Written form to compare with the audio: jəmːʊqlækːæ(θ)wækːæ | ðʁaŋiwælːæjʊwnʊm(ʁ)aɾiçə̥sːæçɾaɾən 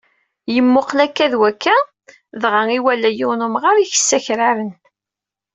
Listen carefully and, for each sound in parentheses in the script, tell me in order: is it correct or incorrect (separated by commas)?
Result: incorrect, correct